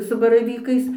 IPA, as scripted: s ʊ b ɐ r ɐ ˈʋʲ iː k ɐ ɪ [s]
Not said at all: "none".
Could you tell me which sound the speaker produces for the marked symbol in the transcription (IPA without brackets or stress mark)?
s